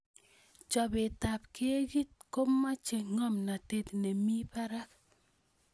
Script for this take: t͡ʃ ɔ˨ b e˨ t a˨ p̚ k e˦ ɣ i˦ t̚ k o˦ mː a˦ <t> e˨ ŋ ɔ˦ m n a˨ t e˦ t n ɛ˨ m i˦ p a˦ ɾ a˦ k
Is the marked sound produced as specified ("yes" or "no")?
no